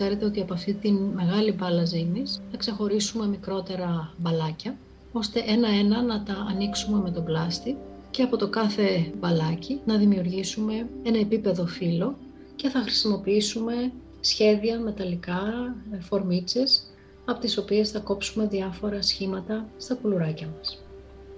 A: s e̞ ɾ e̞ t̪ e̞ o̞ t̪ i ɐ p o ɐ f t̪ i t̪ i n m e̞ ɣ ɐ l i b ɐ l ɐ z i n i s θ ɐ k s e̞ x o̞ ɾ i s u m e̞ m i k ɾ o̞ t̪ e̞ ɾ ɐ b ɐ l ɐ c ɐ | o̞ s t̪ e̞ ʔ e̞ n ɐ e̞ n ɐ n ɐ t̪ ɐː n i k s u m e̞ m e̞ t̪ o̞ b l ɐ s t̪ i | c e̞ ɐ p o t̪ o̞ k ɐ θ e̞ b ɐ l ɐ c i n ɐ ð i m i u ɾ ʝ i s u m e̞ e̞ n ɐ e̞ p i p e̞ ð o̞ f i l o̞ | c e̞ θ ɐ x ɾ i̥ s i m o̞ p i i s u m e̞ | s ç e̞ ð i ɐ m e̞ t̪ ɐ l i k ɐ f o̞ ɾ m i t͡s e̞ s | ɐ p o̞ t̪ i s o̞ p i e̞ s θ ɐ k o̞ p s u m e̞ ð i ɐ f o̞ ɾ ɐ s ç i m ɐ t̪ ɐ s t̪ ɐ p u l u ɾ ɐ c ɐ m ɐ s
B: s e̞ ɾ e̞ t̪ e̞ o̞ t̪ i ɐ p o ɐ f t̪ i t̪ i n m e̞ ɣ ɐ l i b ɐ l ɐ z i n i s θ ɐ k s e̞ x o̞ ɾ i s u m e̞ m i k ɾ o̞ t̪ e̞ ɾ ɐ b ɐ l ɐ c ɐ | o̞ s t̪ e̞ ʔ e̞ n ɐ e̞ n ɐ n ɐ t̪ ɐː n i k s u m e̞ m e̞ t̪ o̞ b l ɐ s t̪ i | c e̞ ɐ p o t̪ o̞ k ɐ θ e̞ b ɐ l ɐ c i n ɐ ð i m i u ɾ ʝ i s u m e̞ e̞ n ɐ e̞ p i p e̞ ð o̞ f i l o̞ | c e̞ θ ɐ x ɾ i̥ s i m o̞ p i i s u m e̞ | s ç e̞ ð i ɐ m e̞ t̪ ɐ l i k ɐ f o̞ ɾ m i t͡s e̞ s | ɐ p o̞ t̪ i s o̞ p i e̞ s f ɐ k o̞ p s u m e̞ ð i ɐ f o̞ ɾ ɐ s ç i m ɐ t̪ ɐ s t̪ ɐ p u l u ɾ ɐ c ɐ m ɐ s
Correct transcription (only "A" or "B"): A